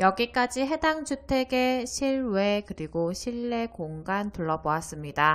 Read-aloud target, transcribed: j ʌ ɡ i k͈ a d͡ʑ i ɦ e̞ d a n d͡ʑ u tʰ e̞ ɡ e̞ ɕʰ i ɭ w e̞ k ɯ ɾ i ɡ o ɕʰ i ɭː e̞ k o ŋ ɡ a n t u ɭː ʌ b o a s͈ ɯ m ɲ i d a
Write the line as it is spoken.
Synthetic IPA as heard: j ʌ ɡ i k͈ a d͡ʑ i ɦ e̞ d a ŋ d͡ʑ u tʰ e̞ ɡ e̞ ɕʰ i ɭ w e̞ k ɯ ɾ i ɡ o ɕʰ i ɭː e̞ k o ŋ ɡ a n t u ɭː ʌ b o a s͈ ɯ m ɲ i d a